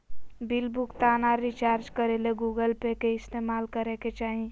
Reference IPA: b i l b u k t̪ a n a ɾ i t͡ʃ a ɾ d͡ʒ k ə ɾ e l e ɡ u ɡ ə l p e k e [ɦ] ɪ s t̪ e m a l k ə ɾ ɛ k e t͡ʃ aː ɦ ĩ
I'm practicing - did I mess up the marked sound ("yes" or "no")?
yes